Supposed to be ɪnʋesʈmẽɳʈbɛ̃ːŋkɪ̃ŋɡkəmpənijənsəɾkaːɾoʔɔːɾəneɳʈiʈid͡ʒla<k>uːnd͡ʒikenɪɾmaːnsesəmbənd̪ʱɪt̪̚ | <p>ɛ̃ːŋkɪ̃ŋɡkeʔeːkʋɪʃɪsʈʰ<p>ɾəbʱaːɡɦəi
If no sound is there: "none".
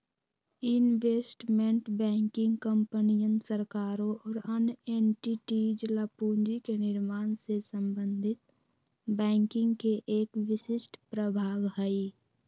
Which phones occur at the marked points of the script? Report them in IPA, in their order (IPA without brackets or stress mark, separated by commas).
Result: p, b, p